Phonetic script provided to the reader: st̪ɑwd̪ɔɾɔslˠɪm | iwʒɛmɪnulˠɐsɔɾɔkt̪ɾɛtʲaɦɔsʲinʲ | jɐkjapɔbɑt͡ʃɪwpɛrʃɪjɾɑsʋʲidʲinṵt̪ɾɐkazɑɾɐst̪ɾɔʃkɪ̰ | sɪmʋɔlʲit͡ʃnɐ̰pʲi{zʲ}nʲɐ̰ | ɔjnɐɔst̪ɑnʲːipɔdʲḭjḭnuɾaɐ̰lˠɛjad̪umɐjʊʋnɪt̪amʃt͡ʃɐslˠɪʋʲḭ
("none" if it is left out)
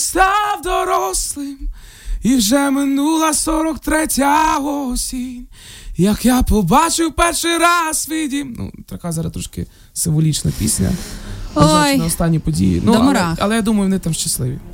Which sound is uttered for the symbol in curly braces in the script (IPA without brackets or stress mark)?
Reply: sʲ